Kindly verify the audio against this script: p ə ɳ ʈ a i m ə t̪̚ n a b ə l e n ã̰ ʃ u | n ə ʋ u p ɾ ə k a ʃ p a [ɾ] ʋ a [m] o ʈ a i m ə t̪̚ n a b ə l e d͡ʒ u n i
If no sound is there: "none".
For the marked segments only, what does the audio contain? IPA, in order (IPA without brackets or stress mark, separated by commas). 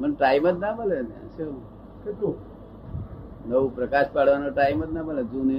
ɽ, n